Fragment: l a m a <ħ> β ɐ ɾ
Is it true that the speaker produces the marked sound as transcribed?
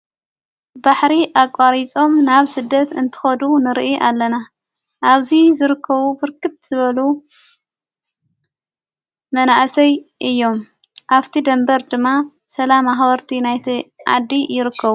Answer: no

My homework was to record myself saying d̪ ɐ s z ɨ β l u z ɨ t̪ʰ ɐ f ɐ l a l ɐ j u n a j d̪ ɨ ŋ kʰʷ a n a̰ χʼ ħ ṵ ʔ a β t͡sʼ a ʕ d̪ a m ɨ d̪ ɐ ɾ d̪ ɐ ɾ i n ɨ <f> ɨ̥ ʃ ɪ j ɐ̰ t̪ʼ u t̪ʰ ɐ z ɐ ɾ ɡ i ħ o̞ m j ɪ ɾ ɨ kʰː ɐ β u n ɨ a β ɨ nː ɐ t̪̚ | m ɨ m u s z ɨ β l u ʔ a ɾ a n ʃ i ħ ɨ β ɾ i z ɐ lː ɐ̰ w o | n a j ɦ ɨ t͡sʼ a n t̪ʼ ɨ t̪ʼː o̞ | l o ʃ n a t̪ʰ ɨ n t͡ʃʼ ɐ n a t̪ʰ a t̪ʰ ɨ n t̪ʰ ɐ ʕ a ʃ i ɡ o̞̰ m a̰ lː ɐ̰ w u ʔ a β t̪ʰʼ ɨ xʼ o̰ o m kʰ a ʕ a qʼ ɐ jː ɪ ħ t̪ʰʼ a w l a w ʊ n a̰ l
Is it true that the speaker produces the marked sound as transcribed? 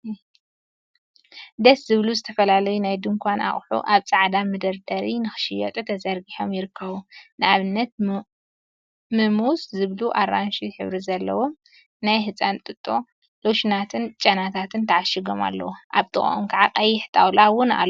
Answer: no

